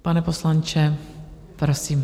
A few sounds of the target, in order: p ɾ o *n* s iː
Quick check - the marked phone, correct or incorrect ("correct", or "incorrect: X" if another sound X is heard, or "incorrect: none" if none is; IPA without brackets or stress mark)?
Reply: incorrect: none